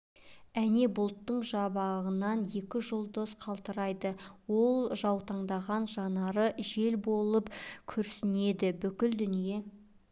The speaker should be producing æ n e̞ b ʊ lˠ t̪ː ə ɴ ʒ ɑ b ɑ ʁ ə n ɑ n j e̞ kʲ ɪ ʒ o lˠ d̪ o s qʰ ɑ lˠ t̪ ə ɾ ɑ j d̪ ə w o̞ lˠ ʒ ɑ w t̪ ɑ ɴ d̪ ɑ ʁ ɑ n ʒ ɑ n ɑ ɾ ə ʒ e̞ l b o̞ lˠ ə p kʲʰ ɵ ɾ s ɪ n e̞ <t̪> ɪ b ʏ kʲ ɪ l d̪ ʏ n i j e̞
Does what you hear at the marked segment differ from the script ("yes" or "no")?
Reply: yes